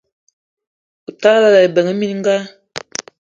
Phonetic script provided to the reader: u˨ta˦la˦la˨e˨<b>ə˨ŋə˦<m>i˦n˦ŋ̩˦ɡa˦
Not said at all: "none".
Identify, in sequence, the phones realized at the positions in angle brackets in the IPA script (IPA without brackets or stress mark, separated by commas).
b, m